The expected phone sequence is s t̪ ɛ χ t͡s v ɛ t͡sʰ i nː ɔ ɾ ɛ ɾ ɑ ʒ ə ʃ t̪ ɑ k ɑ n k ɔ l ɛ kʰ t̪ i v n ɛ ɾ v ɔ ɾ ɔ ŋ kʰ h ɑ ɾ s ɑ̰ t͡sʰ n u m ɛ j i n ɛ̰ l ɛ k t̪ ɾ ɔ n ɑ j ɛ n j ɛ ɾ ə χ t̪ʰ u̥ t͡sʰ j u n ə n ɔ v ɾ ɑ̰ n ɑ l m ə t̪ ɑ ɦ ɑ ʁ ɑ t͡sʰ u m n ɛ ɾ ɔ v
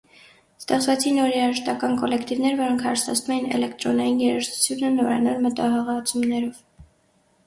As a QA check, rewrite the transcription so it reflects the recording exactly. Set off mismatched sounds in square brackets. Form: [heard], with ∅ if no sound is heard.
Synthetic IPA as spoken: s t̪ ɛ χ t͡s v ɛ t͡sʰ i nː ɔ ɾ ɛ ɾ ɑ ʒ ə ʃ t̪ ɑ k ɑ n k ɔ l ɛ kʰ t̪ i v n ɛ ɾ v ɔ ɾ ɔ ŋ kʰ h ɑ ɾ s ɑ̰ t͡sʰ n u m ɛ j i n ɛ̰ l ɛ k t̪ ɾ ɔ n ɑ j [i] n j ɛ ɾ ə [ʃ] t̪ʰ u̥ t͡sʰ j u n ə n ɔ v ɾ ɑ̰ n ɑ l m ə t̪ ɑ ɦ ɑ ʁ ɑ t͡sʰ u m n ɛ ɾ ɔ v